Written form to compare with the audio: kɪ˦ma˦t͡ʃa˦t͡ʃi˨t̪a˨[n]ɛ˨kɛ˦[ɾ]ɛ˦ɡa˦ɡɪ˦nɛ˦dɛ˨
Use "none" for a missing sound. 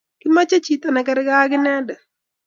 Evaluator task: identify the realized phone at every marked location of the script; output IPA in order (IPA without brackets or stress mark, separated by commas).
n, ɾ